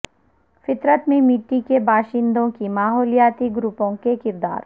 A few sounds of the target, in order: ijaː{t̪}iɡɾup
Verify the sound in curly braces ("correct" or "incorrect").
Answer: correct